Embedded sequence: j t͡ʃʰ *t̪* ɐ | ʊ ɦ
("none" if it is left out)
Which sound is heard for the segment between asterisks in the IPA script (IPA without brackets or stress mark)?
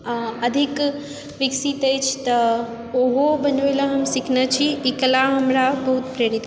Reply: t̪